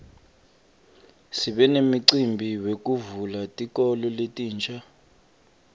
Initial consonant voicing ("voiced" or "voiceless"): voiceless